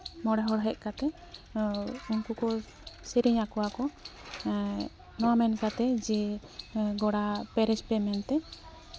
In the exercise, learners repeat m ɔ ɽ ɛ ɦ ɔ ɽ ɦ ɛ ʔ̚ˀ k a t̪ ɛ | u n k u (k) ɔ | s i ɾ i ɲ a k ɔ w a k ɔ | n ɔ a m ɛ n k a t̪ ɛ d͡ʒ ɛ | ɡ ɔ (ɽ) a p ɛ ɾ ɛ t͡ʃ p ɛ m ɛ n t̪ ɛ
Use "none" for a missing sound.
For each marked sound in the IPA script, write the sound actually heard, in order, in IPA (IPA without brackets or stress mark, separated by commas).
k, ɽ